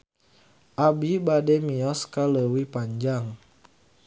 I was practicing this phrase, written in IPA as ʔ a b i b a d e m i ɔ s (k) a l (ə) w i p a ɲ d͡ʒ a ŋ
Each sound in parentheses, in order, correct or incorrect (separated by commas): correct, correct